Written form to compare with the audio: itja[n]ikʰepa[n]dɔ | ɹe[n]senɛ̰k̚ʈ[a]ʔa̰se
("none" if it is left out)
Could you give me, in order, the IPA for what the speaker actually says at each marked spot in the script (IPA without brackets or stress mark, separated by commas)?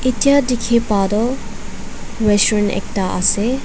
d, none, none, a